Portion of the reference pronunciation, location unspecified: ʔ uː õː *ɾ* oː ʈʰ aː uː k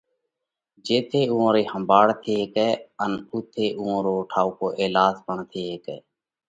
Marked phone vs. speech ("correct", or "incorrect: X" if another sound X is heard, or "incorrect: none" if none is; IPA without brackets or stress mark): correct